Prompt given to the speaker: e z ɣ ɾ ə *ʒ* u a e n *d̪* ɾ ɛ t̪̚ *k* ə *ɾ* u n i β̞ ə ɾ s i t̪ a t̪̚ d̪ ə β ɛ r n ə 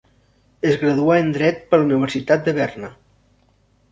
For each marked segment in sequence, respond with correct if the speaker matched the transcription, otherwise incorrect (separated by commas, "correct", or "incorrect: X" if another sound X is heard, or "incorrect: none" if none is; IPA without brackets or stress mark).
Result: incorrect: ð, correct, incorrect: p, incorrect: l